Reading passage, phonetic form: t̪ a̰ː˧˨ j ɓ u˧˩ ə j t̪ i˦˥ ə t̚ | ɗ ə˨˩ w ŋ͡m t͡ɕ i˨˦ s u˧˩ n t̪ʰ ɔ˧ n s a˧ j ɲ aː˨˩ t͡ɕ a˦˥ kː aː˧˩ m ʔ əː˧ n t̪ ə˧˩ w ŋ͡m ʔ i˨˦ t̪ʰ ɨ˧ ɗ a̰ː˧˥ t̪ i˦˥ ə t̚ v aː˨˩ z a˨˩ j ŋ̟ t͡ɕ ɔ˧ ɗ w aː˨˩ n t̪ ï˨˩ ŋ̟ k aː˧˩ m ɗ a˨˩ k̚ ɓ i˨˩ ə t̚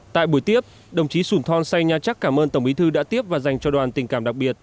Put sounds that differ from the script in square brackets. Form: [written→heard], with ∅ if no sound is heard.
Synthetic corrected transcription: t̪ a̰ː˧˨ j ɓ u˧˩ ə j t̪ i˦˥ ə [t̚→p̚] | ɗ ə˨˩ w ŋ͡m t͡ɕ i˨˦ s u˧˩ n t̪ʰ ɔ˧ n s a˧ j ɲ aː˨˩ t͡ɕ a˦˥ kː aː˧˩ m ʔ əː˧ n t̪ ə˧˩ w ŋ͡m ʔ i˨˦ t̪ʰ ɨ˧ ɗ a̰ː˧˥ t̪ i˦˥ ə [t̚→p̚] v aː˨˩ z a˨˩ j ŋ̟ t͡ɕ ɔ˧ ɗ w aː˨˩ n t̪ ï˨˩ ŋ̟ k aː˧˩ m ɗ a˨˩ k̚ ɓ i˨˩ ə t̚